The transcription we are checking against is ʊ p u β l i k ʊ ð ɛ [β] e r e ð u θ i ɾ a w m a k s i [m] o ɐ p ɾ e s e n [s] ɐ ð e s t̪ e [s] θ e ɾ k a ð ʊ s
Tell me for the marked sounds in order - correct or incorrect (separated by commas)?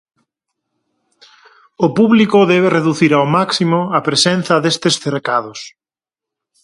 correct, correct, incorrect, correct